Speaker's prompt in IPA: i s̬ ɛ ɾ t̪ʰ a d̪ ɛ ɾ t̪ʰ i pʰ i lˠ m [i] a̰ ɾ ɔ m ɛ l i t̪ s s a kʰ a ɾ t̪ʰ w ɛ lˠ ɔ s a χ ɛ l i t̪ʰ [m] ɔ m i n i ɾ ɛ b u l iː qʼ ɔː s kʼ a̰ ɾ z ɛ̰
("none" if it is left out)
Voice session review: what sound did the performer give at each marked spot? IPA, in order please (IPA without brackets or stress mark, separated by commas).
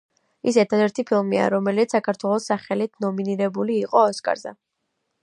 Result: i, n